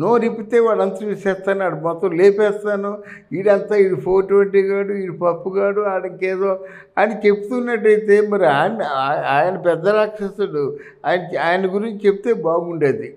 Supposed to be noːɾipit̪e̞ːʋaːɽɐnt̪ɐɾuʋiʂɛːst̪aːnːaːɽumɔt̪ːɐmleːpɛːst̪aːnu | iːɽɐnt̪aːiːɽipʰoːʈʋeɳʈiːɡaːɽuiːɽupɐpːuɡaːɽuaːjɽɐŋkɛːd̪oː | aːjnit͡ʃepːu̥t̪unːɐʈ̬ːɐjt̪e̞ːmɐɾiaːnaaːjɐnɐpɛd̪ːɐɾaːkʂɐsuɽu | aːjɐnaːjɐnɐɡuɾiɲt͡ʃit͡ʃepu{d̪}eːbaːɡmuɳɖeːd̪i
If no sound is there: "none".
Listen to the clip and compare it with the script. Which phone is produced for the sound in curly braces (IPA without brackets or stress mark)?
t̪